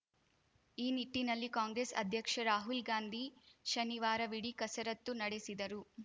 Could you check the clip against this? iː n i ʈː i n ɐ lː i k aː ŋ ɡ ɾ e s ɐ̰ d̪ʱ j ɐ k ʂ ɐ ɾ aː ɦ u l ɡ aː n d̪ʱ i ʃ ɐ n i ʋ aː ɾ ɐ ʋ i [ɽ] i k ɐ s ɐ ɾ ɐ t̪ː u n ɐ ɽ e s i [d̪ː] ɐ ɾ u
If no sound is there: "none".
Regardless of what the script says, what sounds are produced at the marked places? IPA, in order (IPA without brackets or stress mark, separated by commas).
ɽ, d̪